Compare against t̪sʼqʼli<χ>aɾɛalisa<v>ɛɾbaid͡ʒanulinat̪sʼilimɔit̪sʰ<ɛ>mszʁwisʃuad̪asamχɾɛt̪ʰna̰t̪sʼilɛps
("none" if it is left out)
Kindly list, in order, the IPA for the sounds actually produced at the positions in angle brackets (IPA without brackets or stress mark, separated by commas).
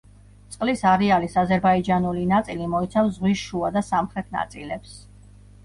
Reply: s, z, a